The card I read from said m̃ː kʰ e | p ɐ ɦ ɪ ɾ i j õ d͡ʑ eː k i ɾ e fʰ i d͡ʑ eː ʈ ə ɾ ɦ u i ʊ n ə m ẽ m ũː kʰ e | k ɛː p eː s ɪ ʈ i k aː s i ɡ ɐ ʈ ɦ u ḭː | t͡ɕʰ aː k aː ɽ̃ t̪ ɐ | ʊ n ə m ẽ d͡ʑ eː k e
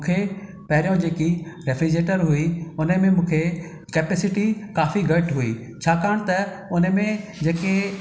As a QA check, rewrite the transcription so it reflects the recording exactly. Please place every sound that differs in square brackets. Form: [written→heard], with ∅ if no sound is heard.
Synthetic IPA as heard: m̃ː kʰ e | p ɐ ɦ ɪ ɾ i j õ d͡ʑ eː k i ɾ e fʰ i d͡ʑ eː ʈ ə ɾ ɦ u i ʊ n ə m ẽ m ũː kʰ e | k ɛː p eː s ɪ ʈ i k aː [s→f] i ɡ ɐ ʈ ɦ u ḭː | t͡ɕʰ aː k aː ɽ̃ t̪ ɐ | ʊ n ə m ẽ d͡ʑ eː k e